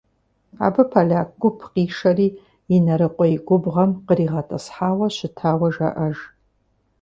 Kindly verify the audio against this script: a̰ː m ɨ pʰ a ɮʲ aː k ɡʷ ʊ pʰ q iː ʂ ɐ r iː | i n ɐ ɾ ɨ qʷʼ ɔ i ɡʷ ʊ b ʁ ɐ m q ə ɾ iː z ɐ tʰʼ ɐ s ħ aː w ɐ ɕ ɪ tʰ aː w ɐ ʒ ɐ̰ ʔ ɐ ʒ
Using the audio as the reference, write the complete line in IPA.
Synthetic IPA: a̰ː b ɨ pʰ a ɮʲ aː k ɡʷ ʊ pʰ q iː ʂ ɐ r iː | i n ɐ ɾ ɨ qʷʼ ɔ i ɡʷ ʊ b ʁ ɐ m q ə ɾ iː ʁ ɐ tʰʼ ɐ s ħ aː w ɐ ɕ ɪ tʰ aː w ɐ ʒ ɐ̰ ʔ ɐ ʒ